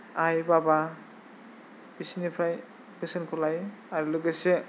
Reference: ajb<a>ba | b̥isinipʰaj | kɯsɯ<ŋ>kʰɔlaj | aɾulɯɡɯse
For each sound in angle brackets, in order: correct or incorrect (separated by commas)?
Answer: correct, incorrect